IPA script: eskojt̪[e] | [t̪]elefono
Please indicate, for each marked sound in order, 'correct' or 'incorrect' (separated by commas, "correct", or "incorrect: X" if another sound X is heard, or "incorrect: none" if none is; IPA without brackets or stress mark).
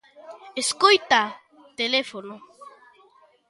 incorrect: a, correct